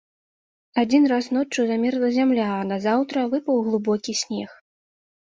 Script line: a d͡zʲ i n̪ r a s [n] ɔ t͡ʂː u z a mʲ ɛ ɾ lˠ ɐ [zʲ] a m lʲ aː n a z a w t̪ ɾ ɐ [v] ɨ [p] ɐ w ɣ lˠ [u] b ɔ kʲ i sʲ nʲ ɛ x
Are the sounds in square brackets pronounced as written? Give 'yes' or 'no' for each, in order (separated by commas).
yes, yes, yes, yes, yes